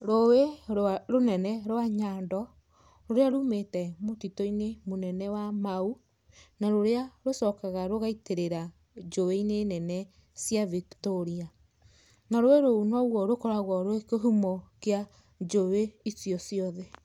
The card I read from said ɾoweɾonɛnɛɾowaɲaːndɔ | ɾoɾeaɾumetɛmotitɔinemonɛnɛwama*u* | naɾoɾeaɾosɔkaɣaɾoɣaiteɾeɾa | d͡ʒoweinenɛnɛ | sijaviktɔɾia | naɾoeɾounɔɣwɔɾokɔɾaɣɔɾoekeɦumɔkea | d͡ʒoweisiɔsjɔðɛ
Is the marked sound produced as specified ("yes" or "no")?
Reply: yes